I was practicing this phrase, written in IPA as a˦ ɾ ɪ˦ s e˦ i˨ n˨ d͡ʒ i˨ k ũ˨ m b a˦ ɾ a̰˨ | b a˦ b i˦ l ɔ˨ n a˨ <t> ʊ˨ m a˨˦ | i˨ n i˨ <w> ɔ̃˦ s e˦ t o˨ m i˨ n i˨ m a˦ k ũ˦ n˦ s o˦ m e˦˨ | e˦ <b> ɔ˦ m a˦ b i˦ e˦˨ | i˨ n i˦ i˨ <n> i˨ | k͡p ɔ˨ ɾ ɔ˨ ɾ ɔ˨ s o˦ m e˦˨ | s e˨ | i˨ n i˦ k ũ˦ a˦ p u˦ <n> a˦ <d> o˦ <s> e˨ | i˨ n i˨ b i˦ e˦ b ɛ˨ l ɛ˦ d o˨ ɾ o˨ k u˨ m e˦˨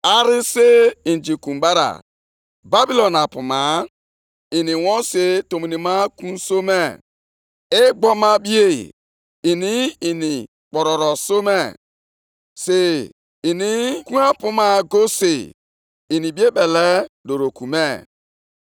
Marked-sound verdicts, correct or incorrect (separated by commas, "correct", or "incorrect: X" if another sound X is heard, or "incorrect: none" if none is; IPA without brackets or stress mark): incorrect: p, correct, incorrect: ɡ͡b, correct, incorrect: m, incorrect: ɡ, correct